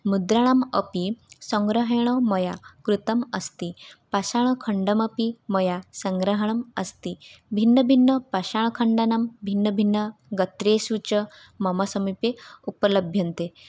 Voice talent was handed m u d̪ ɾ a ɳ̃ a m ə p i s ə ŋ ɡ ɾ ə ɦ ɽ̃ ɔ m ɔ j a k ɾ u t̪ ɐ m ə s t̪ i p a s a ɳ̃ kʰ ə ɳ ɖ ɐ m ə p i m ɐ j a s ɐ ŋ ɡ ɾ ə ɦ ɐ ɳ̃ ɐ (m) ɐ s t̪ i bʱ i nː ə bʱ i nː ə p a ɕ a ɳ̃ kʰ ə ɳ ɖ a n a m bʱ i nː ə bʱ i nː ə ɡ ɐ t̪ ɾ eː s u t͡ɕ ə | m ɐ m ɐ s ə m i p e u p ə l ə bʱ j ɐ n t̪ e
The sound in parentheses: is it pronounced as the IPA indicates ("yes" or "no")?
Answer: yes